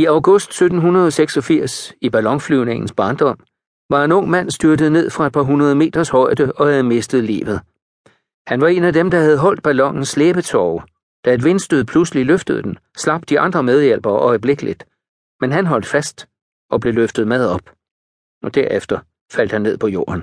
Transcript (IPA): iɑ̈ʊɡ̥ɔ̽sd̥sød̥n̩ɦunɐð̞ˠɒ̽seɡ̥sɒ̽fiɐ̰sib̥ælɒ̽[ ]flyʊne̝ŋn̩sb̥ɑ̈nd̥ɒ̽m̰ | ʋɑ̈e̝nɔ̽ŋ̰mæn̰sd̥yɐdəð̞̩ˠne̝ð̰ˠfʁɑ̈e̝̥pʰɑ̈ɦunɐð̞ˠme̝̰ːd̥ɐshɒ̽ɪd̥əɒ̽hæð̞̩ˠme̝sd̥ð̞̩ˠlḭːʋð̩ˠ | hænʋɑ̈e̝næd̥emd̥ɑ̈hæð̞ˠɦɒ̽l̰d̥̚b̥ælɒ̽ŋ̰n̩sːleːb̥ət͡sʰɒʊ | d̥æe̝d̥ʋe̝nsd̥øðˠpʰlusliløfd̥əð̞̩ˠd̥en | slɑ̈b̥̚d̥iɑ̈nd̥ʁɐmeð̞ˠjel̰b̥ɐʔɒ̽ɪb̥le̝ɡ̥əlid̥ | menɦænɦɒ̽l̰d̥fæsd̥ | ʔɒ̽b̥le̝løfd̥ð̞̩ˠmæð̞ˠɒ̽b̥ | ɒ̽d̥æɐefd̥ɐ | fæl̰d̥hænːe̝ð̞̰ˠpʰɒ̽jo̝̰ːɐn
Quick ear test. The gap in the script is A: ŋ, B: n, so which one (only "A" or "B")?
A